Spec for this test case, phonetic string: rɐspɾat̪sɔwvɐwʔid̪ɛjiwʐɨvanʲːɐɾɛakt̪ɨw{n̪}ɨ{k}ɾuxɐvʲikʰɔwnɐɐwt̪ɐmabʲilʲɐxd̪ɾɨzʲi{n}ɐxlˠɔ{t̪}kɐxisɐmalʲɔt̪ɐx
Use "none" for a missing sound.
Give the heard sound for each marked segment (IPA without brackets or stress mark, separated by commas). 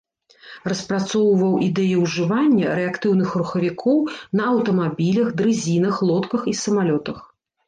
n̪, x, n, t̪